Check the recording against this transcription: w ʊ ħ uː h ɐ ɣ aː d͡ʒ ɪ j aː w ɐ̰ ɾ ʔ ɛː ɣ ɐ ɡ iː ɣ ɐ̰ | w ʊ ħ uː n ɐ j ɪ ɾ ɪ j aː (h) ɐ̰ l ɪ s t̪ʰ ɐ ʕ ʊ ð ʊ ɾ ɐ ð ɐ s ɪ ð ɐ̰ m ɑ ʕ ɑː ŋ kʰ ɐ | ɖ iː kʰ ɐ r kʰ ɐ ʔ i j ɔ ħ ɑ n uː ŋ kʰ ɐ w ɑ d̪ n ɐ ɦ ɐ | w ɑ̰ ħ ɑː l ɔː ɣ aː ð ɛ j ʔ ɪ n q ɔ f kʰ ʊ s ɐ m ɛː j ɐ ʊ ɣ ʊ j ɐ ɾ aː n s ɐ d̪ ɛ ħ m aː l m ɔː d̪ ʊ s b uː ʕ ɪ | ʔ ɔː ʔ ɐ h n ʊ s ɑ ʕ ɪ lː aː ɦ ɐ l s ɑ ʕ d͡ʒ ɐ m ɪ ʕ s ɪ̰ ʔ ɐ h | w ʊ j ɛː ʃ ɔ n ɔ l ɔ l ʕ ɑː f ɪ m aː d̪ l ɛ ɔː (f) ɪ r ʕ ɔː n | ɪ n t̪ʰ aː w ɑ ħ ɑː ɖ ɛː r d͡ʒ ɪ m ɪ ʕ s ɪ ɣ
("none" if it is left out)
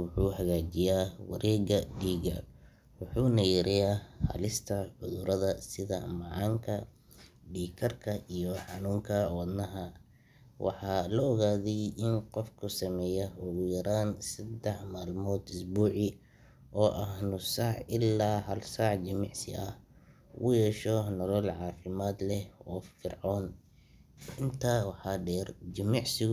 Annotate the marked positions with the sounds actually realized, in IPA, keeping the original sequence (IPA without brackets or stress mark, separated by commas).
h, f